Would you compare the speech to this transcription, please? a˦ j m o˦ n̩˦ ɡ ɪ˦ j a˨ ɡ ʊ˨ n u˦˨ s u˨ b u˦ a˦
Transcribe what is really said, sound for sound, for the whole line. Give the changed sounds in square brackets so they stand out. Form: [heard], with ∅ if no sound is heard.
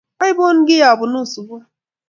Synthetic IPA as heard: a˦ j [b] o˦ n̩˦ ɡ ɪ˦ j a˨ [b] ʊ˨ n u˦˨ s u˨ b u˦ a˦